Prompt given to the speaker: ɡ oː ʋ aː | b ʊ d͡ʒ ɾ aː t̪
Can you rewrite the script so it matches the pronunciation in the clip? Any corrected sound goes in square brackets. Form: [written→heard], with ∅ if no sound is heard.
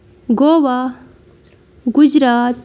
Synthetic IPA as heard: ɡ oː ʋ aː | [b→ɡ] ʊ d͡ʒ ɾ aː t̪